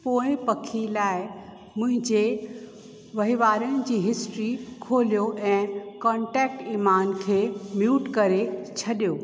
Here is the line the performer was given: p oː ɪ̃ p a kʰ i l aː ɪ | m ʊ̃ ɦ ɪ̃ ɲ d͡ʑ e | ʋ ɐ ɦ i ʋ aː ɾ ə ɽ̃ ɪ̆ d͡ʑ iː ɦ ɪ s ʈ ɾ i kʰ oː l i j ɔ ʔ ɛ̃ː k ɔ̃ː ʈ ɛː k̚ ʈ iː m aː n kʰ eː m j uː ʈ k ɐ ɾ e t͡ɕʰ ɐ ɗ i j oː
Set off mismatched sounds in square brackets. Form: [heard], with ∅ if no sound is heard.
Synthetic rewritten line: p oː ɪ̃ p [ɐ] kʰ i l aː ɪ | m ʊ̃ ɦ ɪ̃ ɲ d͡ʑ e | ʋ ɐ ɦ i ʋ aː ɾ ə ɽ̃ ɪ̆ d͡ʑ iː ɦ ɪ s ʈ ɾ i kʰ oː l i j [o] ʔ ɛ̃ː k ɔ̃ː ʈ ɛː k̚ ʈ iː m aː n kʰ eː m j uː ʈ k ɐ ɾ e t͡ɕʰ ɐ ɗ i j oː